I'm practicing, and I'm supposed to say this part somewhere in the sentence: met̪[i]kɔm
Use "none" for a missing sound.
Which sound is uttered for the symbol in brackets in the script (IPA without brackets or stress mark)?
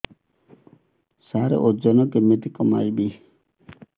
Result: i